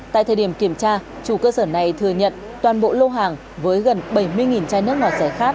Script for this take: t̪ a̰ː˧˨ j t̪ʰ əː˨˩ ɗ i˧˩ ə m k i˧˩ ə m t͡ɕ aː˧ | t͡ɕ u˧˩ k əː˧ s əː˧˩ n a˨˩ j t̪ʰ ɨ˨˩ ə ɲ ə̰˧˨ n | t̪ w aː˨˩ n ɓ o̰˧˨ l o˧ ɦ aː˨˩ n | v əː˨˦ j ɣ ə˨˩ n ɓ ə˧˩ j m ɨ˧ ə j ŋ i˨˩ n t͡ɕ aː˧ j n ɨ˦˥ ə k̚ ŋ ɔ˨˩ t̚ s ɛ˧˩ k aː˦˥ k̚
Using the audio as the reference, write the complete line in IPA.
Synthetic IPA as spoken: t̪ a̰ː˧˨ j t̪ʰ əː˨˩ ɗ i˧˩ ə m k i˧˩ ə m t͡ɕ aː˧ | t͡ɕ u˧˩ k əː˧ s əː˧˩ n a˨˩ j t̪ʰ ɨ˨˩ ə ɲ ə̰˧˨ n | t̪ w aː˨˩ n ɓ o̰˧˨ l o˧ ɦ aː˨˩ ŋ | v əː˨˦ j ɣ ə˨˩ n ɓ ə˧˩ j m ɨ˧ ə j ŋ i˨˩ n t͡ɕ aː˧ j n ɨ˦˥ ə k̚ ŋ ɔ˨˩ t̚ s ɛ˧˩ x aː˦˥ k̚

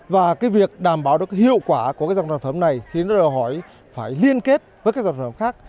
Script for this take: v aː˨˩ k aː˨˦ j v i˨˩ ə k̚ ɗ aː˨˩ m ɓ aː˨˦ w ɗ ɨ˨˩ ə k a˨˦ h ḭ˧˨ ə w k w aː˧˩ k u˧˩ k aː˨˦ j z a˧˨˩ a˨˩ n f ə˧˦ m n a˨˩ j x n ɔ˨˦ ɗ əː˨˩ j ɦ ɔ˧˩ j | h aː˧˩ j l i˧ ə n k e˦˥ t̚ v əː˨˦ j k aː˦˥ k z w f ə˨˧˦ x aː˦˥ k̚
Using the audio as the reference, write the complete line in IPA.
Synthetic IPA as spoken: v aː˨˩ k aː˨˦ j v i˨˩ ə k̚ ɗ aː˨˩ m ɓ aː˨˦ w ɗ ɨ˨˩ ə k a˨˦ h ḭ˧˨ ə w k w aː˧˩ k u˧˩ k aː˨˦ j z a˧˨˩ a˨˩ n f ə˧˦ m n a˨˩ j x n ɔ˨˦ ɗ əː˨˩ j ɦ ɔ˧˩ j | f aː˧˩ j l i˧ ə n k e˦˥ t̚ v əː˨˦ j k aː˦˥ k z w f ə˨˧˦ x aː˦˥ k̚

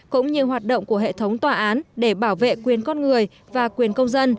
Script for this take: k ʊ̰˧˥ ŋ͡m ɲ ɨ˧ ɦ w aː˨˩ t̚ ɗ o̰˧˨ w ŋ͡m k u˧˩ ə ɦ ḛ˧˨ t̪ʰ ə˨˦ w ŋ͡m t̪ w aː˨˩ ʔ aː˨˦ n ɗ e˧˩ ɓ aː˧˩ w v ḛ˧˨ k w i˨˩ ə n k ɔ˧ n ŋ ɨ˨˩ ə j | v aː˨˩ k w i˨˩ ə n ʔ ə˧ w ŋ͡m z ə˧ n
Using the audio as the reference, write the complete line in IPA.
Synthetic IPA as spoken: k ʊ̰˧˥ ŋ͡m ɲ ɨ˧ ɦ w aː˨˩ t̚ ɗ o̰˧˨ w ŋ͡m k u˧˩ ə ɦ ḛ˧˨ t̪ʰ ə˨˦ w ŋ͡m t̪ w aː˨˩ ʔ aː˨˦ n ɗ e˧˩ ɓ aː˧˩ w v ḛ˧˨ k w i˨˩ ə n k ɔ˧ n ŋ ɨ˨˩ ə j | v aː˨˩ k w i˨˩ ə n k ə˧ w ŋ͡m z ə˧ n

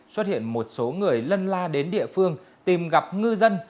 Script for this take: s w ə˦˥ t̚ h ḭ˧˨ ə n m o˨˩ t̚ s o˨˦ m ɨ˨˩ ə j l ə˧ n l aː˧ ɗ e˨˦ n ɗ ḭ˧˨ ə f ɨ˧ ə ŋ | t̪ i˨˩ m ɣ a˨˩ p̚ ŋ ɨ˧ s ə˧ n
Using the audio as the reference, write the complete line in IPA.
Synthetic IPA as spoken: s w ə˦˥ t̚ h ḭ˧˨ ə n m o˨˩ t̚ s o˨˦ ŋ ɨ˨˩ ə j l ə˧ n l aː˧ ɗ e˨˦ n ɗ ḭ˧˨ ə f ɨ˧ ə ŋ | t̪ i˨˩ m ɣ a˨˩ p̚ ŋ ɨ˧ z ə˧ n

